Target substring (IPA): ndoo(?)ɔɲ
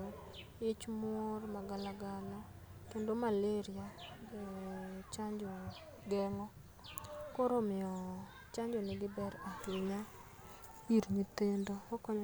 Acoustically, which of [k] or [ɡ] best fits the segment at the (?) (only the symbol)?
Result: k